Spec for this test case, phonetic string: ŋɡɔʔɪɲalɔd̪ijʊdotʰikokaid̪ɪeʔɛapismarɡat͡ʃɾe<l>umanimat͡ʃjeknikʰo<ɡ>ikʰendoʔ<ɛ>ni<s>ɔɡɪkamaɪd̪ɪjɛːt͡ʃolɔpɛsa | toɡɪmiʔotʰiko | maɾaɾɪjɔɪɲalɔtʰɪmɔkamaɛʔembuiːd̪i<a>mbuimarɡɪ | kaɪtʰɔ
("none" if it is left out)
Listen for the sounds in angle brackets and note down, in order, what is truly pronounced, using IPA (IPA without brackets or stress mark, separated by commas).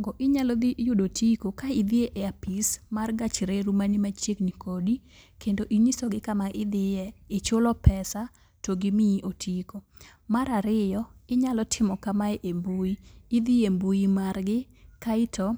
ɾ, d, i, s, e